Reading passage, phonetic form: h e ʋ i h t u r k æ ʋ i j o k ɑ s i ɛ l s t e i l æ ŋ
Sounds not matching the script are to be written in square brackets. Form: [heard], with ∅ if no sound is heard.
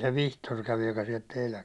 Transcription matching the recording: [s] e ʋ i h t [o] r k æ ʋ i j o k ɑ s i ɛ l [t] t e i l æ ŋ